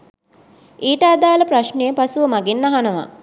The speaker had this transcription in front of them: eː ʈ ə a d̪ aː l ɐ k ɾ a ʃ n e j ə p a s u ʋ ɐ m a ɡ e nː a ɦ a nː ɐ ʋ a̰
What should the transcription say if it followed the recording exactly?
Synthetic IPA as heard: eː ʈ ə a d̪ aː l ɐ p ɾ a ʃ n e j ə p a s u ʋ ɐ m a ɡ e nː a ɦ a n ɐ ʋ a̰

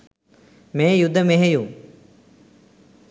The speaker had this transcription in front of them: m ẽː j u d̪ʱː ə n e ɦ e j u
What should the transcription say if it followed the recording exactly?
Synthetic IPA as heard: m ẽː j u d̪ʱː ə m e ɦ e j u

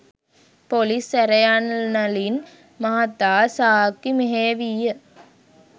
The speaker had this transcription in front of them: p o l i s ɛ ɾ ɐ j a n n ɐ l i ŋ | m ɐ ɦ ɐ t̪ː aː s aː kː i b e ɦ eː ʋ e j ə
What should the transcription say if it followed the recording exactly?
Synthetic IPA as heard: p o l i s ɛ ɾ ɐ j a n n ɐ l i n | m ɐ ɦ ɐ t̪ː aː s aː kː i m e ɦ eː ʋ i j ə

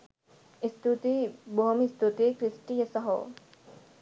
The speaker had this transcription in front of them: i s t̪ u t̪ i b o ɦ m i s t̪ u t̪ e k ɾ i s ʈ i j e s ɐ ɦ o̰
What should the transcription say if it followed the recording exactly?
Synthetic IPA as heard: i s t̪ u t̪ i b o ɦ m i s t̪ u t̪ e k ɾ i s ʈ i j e s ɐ ɦ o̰

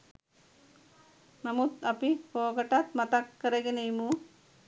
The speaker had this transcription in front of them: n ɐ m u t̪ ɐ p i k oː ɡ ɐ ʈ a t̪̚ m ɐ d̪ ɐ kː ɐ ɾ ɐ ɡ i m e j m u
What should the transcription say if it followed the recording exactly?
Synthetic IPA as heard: n ɐ m u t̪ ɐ p i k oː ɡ ɐ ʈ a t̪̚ m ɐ t̪ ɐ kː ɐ ɾ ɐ ɡ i n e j m u

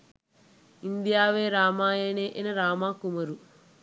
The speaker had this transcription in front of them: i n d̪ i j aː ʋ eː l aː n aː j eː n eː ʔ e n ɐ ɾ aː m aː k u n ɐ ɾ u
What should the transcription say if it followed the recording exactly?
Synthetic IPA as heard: i n d̪ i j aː ʋ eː ɾ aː m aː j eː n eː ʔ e n ɐ ɾ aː m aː k u m ɐ ɾ u

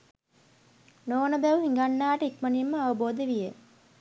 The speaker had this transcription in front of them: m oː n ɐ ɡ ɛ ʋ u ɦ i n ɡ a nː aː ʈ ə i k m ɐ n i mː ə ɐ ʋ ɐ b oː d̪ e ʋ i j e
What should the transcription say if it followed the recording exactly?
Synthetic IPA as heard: n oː n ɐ b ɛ ʋ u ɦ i ŋ ɡ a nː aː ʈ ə i k m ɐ n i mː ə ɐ ʋ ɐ b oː d̪ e ʋ i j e

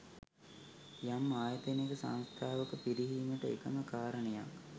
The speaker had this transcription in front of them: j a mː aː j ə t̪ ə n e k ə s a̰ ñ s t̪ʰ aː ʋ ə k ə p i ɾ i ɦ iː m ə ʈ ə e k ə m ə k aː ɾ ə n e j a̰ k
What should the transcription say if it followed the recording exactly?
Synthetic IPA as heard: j a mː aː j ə t̪ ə n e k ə s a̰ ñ s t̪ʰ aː ʋ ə k ə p i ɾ i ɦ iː m ə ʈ ə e k ə m ə k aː ɾ ə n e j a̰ k

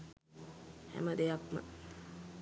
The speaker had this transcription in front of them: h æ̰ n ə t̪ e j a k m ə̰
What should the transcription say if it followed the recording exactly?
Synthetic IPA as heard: h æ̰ m ə d̪ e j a k m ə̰

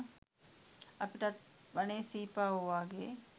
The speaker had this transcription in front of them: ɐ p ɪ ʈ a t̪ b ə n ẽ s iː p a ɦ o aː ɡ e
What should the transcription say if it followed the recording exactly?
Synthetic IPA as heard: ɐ p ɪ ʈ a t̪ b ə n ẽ s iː p a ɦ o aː ɡ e

